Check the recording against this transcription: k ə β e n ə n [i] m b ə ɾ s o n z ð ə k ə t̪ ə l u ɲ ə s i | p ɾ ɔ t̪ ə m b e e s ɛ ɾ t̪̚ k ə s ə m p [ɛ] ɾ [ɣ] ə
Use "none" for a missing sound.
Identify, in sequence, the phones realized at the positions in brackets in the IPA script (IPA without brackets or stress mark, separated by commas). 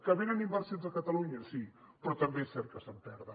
i, ɛ, ð